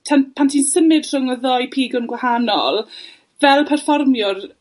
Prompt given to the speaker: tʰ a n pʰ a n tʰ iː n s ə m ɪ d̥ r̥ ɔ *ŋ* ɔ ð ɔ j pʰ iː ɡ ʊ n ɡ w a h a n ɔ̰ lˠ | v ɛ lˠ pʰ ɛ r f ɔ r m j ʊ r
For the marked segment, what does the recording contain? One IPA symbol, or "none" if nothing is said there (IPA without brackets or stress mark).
ŋ